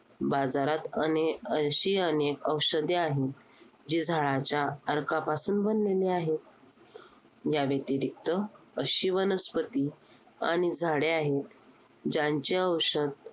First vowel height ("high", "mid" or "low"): low